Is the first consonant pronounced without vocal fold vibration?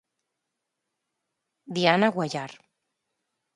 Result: no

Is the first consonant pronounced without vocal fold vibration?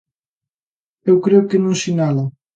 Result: no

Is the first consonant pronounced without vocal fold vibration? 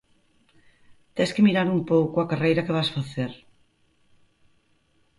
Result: yes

